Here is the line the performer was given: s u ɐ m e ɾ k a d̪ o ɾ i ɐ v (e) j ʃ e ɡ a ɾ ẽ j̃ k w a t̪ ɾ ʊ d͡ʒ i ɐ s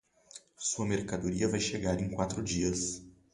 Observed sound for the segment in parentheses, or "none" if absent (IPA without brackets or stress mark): a